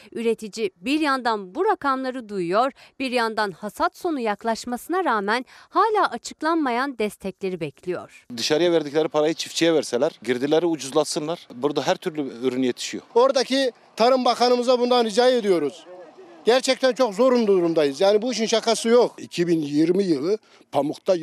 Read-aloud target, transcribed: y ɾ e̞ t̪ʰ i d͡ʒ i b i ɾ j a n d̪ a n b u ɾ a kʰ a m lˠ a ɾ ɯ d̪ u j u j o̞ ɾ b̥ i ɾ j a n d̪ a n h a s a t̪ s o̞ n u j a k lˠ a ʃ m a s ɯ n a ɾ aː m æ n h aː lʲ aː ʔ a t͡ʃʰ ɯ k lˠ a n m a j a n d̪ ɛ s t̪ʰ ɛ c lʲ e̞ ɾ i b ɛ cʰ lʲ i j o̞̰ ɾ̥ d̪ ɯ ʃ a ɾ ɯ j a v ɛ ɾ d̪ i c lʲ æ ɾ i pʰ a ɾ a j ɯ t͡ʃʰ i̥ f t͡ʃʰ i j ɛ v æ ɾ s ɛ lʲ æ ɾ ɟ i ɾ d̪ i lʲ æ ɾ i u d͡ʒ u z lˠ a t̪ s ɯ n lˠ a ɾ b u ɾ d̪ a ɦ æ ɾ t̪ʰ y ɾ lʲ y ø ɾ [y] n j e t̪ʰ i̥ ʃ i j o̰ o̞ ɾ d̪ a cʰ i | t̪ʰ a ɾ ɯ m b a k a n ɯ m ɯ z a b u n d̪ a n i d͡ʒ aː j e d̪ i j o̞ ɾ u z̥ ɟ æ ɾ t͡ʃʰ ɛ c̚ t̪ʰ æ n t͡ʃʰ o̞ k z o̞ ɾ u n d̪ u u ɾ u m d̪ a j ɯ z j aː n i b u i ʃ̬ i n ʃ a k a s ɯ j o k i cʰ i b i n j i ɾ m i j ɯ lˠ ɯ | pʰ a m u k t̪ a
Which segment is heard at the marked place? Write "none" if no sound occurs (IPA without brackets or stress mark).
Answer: y